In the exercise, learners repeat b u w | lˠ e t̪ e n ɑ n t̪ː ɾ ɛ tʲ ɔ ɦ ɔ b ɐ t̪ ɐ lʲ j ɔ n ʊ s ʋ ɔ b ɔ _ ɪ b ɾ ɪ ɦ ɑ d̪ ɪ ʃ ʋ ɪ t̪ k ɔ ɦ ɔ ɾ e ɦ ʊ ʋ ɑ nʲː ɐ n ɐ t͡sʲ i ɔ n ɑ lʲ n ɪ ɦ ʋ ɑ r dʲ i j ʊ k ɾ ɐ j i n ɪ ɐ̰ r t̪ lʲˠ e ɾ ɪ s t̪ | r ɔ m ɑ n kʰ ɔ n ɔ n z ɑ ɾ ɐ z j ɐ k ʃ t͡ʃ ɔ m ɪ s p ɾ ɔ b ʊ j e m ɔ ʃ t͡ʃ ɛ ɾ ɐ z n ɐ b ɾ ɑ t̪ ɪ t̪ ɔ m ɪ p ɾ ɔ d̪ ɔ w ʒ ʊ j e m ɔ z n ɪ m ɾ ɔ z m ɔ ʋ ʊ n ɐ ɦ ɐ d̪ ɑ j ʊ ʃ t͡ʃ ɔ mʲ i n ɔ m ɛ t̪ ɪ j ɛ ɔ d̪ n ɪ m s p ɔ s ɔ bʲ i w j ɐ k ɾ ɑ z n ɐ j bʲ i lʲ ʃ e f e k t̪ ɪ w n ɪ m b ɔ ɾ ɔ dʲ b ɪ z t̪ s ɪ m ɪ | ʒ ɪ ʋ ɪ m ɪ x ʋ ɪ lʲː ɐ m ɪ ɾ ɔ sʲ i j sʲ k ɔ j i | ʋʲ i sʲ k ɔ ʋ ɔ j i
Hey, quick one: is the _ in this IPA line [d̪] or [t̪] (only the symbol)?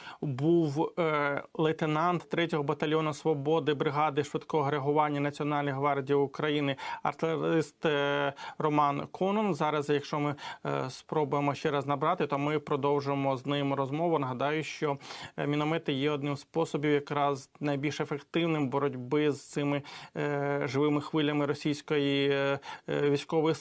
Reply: d̪